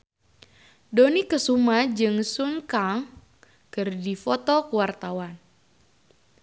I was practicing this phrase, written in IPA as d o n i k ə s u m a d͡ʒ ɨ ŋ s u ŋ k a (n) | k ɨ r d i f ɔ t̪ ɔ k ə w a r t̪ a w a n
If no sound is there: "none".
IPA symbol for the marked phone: ŋ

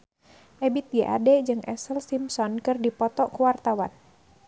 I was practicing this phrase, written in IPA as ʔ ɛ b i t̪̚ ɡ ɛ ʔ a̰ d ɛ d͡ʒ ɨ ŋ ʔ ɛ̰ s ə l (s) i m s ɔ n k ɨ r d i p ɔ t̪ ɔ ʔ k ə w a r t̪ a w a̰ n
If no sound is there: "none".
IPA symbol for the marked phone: s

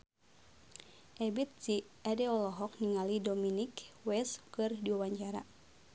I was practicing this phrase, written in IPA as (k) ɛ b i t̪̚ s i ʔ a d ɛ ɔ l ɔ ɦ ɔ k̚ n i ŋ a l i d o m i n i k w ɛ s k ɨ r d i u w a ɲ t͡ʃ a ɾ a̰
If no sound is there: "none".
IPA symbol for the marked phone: ʔ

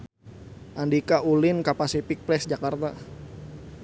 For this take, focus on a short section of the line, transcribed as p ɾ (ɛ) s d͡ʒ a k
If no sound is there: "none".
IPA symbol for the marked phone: ɛ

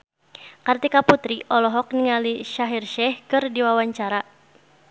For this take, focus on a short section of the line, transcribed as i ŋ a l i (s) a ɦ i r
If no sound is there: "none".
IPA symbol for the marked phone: ʃ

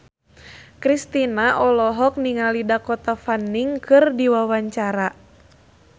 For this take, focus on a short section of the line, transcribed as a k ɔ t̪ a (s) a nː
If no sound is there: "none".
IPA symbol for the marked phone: f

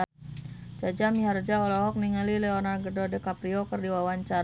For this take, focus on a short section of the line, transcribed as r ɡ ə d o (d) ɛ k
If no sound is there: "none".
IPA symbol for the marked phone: d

